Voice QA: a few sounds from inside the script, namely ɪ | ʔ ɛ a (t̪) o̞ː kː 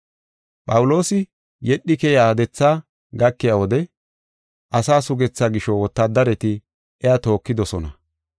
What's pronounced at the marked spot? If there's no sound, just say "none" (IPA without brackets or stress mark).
t̪